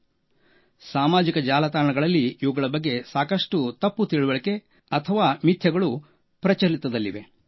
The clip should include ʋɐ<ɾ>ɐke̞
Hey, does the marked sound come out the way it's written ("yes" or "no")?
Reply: no